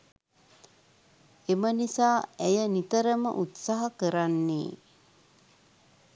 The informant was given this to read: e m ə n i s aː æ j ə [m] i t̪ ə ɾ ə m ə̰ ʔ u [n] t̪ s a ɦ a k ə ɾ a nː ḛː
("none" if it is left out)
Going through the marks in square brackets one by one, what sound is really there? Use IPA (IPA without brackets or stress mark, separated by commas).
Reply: n, none